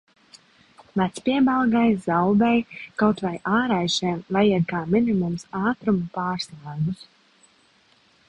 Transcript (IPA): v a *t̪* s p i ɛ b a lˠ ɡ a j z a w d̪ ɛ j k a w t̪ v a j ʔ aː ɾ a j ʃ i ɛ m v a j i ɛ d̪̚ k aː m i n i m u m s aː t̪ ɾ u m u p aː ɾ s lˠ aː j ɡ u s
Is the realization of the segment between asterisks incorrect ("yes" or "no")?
no